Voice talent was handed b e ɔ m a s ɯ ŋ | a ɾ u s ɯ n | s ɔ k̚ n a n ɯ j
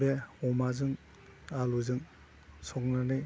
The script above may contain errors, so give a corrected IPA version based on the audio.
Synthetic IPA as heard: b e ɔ m a z ɯ ŋ | a l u z ɯ ŋ | s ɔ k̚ n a n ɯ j